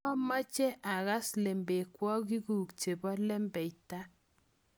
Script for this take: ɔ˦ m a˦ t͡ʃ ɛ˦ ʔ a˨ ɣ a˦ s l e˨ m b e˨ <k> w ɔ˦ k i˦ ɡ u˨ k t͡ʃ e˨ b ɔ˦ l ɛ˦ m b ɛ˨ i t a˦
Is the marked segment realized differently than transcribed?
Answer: no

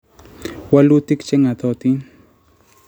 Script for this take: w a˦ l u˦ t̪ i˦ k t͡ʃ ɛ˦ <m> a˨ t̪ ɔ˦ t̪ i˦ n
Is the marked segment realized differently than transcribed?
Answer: yes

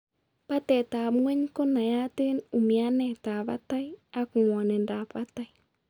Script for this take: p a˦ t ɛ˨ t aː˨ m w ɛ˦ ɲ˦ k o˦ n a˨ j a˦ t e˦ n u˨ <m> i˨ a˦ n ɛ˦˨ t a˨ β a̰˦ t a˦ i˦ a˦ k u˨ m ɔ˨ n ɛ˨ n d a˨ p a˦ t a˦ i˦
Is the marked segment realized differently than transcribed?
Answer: no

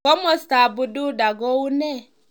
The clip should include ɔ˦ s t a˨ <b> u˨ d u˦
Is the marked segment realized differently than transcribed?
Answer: no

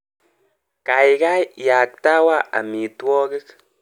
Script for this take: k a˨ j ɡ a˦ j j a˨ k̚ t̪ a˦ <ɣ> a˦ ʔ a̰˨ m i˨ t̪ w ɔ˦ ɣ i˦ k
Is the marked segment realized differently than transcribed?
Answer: yes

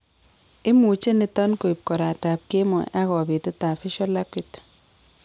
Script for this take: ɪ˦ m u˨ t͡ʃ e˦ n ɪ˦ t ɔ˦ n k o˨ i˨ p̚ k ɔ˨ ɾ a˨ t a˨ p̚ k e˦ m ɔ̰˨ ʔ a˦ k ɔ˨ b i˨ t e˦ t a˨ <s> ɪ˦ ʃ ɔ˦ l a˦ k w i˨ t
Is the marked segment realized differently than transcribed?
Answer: yes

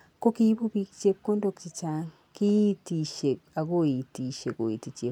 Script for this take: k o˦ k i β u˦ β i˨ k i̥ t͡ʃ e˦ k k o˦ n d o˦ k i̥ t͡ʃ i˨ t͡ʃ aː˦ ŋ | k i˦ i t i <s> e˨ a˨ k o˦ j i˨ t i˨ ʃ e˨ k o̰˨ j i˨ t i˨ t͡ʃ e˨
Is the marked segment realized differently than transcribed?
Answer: yes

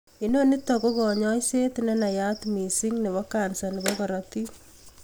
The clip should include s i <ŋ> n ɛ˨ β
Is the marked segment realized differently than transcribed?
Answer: no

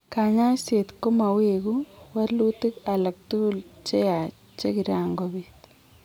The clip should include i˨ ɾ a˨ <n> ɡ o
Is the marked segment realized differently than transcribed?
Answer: yes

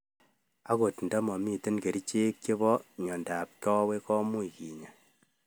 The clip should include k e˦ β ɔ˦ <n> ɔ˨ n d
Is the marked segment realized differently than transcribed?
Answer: yes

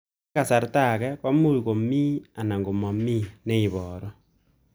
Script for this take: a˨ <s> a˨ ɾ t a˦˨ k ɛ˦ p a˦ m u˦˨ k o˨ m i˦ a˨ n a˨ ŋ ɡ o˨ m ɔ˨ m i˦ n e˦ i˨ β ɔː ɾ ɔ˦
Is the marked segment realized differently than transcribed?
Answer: no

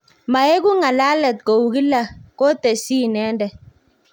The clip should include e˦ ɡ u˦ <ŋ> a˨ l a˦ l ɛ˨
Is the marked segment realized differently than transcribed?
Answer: no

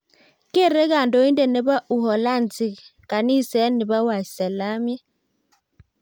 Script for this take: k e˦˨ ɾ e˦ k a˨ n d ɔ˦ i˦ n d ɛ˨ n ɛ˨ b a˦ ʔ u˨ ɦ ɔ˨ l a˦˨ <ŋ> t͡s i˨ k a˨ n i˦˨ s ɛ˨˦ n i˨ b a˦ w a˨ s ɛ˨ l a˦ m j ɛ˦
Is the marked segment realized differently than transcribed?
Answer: yes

